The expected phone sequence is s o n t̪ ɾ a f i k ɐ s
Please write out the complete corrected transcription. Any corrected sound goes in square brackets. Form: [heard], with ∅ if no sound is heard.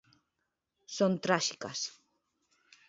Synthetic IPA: s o n t̪ ɾ a [ʃ] i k [a] s

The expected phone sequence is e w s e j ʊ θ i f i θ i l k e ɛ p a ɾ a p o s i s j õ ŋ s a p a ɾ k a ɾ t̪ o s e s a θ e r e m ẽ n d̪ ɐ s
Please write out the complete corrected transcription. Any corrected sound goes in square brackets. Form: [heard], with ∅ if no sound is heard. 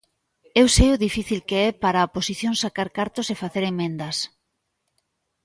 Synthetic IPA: e w s e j ʊ [ð] i f i θ i l k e ɛ p a ɾ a p o s i [θ] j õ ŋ s a [k] a ɾ k a ɾ t̪ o s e [f] a θ e [ɾ] e m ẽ n d̪ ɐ s

